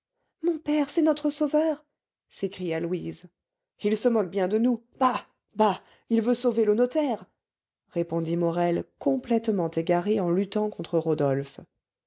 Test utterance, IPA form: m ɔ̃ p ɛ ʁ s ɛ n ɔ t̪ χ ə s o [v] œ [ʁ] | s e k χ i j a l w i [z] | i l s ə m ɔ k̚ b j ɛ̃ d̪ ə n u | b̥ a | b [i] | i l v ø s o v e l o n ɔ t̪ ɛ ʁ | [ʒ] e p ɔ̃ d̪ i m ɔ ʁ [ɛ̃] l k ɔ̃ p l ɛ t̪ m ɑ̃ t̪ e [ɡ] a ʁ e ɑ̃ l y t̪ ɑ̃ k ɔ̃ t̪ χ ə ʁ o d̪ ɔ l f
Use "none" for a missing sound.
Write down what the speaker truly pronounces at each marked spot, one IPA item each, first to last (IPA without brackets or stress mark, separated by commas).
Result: v, ʁ, z, a, ʁ, ɛ, ɡ